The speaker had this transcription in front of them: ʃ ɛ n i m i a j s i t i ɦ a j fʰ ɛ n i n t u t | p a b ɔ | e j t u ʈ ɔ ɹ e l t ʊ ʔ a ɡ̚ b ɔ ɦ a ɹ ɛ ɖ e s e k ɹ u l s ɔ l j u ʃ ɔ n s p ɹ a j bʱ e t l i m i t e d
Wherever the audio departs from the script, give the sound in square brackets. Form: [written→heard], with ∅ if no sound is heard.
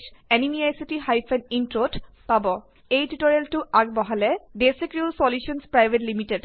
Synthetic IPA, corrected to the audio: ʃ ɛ n i m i a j s i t i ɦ a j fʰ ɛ n i n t [u→o] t | p a b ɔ | e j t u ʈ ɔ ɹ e l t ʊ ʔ a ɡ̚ b ɔ ɦ a [ɹ→l] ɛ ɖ e s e k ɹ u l s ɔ l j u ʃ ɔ n s p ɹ a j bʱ e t l i m i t e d